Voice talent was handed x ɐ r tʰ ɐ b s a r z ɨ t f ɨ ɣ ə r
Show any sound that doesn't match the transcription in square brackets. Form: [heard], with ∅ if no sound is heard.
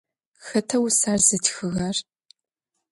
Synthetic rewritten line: x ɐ [∅] tʰ ɐ [w] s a r z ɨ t [x] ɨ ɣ [ɐ] r